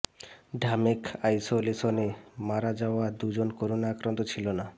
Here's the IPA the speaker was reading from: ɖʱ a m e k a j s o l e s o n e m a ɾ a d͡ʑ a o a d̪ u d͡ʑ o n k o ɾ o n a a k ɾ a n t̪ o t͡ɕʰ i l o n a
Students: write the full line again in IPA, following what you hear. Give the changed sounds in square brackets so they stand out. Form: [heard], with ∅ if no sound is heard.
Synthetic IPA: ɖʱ a m e k a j s o l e s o n e m a ɾ a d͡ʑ a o a d̪ u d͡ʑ o n k o ɾ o n a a k ɾ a n t̪ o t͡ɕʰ i l o n a

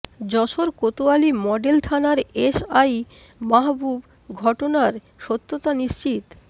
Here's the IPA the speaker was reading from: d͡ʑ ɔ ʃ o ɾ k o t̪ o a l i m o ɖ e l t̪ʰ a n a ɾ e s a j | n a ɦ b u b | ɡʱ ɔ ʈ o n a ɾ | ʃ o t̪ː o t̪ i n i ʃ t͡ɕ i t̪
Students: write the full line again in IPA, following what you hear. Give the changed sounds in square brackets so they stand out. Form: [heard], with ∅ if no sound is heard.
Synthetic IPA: d͡ʑ ɔ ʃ o ɾ k o t̪ o a l i m [ɔ] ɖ e l t̪ʰ a n a ɾ e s a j | [m] a ɦ b u b | ɡʱ ɔ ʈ o n a ɾ | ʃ o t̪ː o t̪ [a] n i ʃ t͡ɕ i t̪

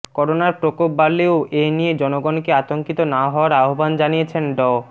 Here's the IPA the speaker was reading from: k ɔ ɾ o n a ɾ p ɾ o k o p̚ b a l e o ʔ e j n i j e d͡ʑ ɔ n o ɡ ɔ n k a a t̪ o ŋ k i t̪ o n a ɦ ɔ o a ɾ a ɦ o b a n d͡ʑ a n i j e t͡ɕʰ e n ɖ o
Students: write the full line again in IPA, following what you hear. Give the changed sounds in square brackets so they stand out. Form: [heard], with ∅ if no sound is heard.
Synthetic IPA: k ɔ ɾ o n a ɾ p ɾ o k o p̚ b a l e o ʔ e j n i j e d͡ʑ ɔ n o ɡ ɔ n k [e] a t̪ o ŋ k i t̪ o n a ɦ ɔ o a ɾ a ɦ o b a n d͡ʑ a n i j e t͡ɕʰ e n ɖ [ɔ]

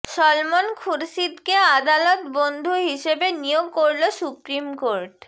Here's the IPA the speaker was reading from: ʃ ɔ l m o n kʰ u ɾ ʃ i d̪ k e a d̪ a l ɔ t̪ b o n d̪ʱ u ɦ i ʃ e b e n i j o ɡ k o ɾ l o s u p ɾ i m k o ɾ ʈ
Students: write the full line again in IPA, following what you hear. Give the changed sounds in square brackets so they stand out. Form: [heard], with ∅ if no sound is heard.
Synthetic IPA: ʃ ɔ l m o n kʰ u ɾ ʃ i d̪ k e a d̪ a l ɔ t̪ b o n d̪ʱ u ɦ i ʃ e b e n i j o ɡ k o ɾ l o s u p ɾ i m k o ɾ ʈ

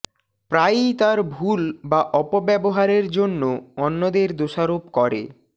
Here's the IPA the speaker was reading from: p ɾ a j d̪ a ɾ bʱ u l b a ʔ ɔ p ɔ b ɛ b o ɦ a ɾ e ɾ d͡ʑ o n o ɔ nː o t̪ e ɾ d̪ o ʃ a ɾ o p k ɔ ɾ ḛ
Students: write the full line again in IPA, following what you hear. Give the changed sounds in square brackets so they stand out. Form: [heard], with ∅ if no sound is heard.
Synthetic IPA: p ɾ a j [t̪] a ɾ bʱ u l b a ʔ ɔ p [o] b ɛ b o ɦ a ɾ e ɾ d͡ʑ o [nː] o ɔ nː o [d̪] e ɾ d̪ o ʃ a ɾ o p k ɔ ɾ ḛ

